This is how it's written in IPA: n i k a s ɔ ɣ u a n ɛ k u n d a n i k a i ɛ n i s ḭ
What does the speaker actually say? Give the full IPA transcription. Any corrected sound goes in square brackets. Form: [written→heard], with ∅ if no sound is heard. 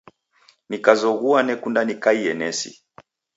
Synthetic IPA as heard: n i k a [s→z] ɔ ɣ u a n ɛ k u n d a n i k a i ɛ n [i→ɛ] s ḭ